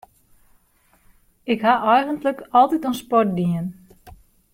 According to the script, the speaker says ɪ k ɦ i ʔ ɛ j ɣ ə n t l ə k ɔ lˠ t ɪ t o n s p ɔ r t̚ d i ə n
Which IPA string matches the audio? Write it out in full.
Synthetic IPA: ɪ k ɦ a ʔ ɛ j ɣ ə n t l ə k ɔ lˠ t i t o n s p ɔ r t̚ d i ə n